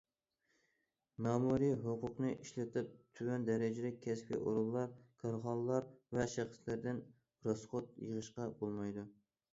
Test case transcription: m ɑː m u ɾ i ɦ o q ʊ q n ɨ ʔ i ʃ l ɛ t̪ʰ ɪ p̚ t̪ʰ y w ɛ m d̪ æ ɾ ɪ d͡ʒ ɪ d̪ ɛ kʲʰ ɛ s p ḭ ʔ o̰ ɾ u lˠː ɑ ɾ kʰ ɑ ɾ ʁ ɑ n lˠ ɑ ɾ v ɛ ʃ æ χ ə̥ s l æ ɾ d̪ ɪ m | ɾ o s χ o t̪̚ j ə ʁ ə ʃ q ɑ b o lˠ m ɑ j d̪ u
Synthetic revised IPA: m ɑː m u ɾ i ɦ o q ʊ q n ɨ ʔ i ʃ l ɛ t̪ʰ ɪ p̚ t̪ʰ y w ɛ n d̪ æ ɾ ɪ d͡ʒ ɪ d̪ ɛ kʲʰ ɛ s p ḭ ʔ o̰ ɾ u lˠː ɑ ɾ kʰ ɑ ɾ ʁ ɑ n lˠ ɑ ɾ v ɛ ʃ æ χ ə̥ s l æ ɾ d̪ ɪ n | ɾ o s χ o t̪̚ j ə ʁ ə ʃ q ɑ b o lˠ m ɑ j d̪ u